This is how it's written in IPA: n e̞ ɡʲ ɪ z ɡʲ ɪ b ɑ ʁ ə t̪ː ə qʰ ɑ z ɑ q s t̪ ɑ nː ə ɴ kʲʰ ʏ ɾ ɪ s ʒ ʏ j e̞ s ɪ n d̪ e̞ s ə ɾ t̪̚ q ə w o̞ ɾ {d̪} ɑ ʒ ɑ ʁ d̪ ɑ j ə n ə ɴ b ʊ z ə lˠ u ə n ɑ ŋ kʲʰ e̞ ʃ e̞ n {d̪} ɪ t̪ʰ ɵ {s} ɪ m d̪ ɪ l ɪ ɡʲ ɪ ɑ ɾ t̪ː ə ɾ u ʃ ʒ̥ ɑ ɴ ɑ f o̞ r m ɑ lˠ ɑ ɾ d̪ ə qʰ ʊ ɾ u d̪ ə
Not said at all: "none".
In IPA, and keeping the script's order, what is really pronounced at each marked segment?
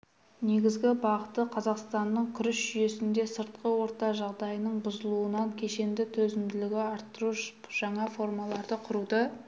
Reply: t̪, d̪, z

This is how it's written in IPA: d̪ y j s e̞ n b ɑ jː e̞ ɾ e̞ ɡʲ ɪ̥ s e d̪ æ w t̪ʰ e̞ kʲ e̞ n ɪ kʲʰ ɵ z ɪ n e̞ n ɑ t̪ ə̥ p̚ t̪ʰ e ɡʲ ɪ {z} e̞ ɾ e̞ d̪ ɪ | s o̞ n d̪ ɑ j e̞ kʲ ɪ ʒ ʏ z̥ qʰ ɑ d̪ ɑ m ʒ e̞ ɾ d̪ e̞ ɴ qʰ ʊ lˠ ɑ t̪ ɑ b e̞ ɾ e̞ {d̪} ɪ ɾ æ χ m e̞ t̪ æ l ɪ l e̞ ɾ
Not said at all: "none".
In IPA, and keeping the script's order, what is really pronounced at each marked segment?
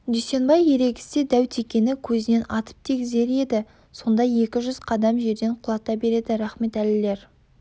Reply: z, d̪

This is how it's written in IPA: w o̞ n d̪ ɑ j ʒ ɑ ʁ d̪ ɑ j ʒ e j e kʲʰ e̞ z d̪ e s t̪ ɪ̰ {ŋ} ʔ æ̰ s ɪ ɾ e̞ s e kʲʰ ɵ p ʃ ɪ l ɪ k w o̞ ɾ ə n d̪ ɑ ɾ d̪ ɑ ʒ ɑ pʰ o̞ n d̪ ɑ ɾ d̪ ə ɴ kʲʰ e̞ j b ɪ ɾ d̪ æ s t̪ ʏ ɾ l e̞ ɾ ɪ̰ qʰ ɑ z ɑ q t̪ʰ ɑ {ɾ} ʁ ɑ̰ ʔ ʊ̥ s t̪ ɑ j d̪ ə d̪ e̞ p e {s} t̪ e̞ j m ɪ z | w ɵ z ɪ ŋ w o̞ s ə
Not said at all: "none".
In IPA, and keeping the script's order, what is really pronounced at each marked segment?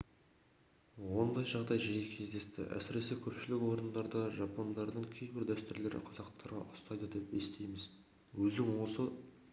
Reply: none, ɾ, s

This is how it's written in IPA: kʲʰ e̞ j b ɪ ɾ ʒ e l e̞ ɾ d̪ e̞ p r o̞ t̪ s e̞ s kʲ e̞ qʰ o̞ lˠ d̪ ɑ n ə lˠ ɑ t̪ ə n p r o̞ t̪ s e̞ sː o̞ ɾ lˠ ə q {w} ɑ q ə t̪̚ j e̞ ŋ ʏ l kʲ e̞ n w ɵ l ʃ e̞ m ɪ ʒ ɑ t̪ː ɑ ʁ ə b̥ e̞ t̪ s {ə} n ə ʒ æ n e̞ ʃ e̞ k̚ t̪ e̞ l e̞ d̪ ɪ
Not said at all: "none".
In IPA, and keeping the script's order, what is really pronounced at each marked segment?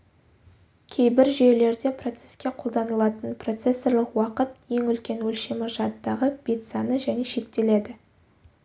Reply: w, ɑ

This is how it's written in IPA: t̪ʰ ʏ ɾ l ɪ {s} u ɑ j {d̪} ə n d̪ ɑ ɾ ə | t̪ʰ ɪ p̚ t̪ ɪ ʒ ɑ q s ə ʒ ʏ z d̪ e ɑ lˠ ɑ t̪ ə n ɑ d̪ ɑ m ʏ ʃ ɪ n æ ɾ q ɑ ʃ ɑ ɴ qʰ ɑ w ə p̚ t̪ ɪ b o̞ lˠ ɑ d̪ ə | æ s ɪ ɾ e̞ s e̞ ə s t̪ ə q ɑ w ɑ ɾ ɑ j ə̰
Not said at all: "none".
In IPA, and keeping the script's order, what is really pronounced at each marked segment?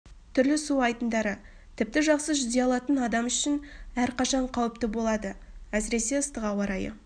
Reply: s, t̪

